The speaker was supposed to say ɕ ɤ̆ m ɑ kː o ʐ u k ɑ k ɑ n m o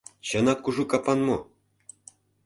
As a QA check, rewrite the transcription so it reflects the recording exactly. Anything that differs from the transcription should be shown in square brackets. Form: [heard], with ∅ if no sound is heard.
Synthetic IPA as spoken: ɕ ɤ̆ [n] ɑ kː [u] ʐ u k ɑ [p] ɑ n m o